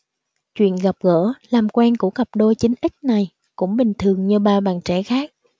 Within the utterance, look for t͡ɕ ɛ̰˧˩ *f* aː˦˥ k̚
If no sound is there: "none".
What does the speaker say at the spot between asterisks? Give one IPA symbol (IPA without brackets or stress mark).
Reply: x